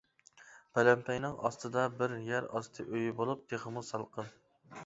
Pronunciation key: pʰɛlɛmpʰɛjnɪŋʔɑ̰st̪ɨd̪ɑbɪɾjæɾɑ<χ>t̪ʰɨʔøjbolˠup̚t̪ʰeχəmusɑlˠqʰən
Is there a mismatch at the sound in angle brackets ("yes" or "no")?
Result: yes